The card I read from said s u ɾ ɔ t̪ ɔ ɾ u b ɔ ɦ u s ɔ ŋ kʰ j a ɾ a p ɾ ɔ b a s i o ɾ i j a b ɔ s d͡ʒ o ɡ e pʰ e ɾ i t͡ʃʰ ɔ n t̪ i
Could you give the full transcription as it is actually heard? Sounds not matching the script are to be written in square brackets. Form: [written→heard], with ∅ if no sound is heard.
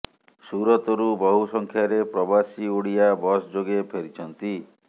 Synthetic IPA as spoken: s u ɾ ɔ t̪ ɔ ɾ u b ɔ ɦ u s ɔ ŋ kʰ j a ɾ [a→e] p ɾ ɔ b a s i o [ɾ→ɽ] i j a b ɔ s d͡ʒ o ɡ e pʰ e ɾ i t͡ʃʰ ɔ n t̪ i